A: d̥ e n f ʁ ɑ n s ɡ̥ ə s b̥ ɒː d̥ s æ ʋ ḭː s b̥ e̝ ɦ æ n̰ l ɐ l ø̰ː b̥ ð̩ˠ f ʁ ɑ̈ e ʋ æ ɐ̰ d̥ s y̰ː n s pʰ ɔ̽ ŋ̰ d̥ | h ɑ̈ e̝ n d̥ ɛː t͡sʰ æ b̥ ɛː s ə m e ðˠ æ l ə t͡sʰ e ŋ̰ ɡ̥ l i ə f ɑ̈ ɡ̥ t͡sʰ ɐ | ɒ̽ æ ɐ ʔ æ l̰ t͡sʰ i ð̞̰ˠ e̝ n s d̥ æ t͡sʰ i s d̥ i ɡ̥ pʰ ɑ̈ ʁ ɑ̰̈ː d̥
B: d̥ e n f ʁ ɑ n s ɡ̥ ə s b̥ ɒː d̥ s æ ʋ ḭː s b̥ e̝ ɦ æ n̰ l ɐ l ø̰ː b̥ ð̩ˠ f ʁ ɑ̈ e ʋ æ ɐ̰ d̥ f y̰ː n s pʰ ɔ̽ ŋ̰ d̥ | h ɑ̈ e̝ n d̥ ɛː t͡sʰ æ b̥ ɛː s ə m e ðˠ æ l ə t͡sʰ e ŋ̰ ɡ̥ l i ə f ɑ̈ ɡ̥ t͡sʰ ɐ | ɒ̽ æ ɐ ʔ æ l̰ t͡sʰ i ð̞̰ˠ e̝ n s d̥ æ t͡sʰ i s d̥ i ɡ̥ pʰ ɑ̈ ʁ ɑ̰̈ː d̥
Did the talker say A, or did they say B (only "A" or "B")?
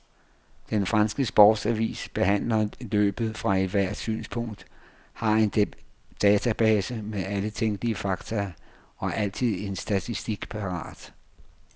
A